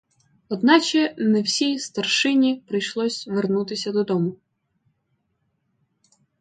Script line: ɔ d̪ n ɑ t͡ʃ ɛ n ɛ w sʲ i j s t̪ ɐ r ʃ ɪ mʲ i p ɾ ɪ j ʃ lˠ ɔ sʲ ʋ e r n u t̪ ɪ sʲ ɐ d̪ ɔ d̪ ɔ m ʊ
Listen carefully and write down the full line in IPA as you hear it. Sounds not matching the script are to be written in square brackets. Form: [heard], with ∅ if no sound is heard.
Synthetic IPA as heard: ɔ d̪ n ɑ t͡ʃ ɛ n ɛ w sʲ i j s t̪ ɐ r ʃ ɪ [nʲ] i p ɾ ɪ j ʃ lˠ ɔ sʲ ʋ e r n u t̪ ɪ sʲ ɐ d̪ ɔ d̪ ɔ m ʊ

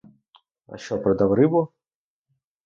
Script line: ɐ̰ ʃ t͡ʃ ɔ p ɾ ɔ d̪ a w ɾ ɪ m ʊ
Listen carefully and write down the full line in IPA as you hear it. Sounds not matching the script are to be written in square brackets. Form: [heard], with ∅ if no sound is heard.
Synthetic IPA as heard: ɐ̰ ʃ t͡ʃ ɔ p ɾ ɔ d̪ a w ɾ ɪ [b] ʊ

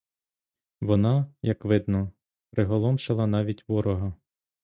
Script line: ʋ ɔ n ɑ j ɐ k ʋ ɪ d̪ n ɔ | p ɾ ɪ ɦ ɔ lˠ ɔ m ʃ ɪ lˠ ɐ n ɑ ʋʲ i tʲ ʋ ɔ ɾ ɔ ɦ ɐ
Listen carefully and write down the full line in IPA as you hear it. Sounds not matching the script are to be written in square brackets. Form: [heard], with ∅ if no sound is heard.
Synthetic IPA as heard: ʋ ɔ n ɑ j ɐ k ʋ ɪ d̪ n ɔ | p ɾ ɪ ɦ ɔ lˠ ɔ m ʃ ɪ lˠ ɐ n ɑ ʋʲ i tʲ ʋ ɔ ɾ ɔ ɦ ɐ

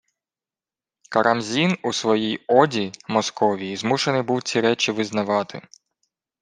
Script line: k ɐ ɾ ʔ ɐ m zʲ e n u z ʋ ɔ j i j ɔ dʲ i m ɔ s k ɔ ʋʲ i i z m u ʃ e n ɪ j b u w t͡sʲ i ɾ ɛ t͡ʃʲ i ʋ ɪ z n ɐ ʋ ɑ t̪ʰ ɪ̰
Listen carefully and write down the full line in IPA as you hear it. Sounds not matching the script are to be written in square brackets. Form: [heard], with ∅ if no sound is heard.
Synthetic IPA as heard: k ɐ ɾ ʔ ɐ m zʲ [i] n u [s] ʋ ɔ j i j ɔ dʲ i m ɔ s k ɔ ʋʲ i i z m u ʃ e n ɪ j b u w t͡sʲ i ɾ ɛ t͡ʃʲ i ʋ ɪ z n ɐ ʋ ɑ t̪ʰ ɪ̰

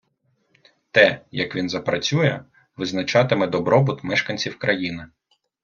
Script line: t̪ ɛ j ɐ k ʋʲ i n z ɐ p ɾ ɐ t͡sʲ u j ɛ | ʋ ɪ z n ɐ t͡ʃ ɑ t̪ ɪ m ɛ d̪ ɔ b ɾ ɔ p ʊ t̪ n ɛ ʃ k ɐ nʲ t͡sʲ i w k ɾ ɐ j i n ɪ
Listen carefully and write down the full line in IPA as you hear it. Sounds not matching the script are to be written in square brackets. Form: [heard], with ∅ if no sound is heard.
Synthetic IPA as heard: t̪ ɛ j ɐ k ʋʲ i n z ɐ p ɾ ɐ t͡sʲ u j ɛ | ʋ ɪ z n ɐ t͡ʃ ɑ t̪ ɪ m ɛ d̪ ɔ b ɾ ɔ [b] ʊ t̪ [m] ɛ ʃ k ɐ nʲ t͡sʲ i w k ɾ ɐ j i n ɪ

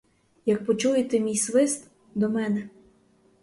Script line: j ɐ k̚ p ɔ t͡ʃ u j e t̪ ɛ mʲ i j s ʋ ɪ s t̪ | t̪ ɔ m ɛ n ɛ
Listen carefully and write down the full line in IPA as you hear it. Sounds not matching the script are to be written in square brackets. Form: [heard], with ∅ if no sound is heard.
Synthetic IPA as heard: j ɐ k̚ p ɔ t͡ʃ u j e t̪ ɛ mʲ i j s ʋ ɪ s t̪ | [d̪] ɔ m ɛ n ɛ

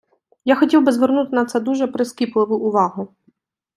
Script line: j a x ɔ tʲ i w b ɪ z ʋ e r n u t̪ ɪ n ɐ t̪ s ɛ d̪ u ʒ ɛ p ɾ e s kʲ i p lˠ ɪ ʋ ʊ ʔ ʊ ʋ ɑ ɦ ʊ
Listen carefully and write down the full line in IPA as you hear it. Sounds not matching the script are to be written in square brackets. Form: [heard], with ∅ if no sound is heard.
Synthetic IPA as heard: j a x ɔ tʲ i w b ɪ z ʋ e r n u t̪ ɪ n ɐ t̪ s ɛ d̪ u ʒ ɛ p ɾ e s kʲ i p lˠ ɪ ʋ ʊ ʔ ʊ ʋ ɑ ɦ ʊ

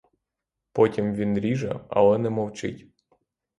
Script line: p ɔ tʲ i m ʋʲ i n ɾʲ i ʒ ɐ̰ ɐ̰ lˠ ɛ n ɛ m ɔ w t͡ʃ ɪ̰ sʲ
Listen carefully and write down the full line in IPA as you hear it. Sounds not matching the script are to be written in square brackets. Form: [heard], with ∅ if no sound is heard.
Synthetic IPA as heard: p ɔ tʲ i m ʋʲ i n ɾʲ i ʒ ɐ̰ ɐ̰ lˠ ɛ n ɛ m ɔ w t͡ʃ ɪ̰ [tʲ]

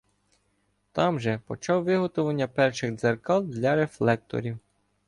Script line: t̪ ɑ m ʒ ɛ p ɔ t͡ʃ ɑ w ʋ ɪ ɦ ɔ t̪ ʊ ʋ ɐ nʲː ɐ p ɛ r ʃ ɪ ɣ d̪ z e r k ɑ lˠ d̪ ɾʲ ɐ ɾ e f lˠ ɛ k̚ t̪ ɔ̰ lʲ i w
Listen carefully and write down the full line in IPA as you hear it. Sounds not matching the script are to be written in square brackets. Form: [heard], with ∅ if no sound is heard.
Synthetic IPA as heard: t̪ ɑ m ʒ ɛ p ɔ t͡ʃ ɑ w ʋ ɪ ɦ ɔ t̪ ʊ ʋ ɐ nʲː ɐ p ɛ r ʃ ɪ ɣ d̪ z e r k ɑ lˠ d̪ [lʲ] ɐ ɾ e f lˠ ɛ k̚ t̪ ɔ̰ [ɾʲ] i w

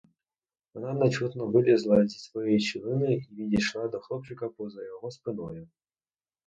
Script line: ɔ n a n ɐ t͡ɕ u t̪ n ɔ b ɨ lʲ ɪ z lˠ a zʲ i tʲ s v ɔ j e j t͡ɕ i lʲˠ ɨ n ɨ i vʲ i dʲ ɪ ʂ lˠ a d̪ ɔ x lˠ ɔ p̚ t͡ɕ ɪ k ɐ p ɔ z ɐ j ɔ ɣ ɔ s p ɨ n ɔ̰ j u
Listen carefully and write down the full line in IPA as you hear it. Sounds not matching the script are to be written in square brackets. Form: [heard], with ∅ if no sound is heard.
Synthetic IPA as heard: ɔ n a n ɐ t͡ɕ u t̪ n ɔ b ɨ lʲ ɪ z lˠ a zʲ i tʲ s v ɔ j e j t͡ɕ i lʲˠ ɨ n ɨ i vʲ i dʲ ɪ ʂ lˠ a d̪ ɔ x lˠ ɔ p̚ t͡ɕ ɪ k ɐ p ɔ z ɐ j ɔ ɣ ɔ s p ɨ n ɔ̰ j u

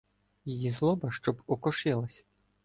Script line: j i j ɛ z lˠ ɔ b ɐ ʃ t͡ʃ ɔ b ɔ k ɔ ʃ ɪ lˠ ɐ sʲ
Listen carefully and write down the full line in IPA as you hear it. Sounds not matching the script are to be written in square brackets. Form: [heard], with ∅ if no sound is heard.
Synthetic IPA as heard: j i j [i] z lˠ ɔ b ɐ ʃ t͡ʃ ɔ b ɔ k ɔ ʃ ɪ lˠ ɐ sʲ

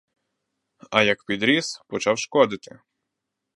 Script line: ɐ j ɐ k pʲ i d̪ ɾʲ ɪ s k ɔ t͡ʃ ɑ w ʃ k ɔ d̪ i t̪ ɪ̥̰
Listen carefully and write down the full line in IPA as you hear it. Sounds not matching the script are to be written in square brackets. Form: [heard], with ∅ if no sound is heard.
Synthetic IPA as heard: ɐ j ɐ k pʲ i d̪ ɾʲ [i] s [p] ɔ t͡ʃ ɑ w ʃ k ɔ d̪ [ɪ] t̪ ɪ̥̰

